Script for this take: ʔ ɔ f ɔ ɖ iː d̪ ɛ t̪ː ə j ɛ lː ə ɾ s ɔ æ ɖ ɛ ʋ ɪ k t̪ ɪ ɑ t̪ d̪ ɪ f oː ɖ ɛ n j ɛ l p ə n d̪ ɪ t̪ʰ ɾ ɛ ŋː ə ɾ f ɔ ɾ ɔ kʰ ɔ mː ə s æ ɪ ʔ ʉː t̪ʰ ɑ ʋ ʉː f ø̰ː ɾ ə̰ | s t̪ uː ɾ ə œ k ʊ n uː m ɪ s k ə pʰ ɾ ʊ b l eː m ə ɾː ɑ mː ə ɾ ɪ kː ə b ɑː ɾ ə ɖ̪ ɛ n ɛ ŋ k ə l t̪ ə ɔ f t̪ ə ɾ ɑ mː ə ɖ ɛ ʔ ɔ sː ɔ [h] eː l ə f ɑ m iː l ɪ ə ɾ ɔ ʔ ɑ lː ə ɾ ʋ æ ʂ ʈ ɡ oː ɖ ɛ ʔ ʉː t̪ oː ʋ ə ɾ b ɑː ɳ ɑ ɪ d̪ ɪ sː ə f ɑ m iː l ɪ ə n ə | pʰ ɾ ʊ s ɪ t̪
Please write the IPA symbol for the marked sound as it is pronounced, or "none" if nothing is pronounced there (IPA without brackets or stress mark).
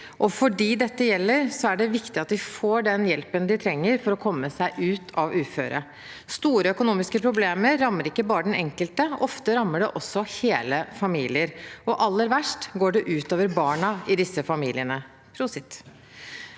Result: h